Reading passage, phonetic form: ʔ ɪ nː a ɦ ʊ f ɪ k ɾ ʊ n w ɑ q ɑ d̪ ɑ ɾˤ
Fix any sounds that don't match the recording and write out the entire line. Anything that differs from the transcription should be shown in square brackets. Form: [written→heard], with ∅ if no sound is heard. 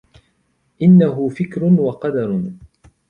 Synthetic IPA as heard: ʔ ɪ nː a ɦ ʊ f ɪ k ɾ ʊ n w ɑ q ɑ d̪ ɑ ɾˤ